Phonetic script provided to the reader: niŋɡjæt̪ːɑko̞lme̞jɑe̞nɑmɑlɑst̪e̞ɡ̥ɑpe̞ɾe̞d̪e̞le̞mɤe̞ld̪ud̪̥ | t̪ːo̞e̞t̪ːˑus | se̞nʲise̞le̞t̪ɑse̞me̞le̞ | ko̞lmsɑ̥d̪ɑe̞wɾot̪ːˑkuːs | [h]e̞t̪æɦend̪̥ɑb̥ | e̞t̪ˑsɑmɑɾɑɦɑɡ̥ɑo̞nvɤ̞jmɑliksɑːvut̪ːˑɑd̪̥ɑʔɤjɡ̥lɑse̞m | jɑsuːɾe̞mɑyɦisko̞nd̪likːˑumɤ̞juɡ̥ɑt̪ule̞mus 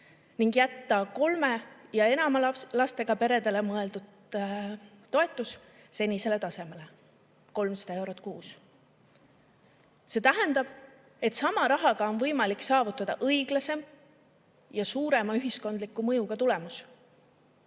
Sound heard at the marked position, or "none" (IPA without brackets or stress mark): s